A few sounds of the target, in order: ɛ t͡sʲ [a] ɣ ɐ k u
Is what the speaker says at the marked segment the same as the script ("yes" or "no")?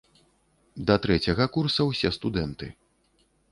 no